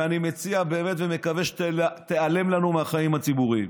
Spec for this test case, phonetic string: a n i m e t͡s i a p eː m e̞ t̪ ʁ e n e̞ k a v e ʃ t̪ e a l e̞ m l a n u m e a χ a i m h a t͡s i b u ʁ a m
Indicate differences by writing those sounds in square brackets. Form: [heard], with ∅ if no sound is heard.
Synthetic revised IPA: a n i m e t͡s i a [b] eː m e̞ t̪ [v] e [m] e̞ k a v e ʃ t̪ e a l e̞ m l a n u m e a χ a i m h a t͡s i b u ʁ [i] m